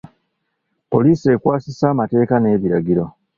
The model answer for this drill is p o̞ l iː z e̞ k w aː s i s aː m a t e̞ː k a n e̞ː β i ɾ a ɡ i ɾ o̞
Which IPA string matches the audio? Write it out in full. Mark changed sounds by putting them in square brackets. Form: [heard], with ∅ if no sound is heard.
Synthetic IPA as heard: p o̞ l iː [s] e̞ k w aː s i s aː m a t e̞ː k a n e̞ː β i ɾ a ɡ i ɾ o̞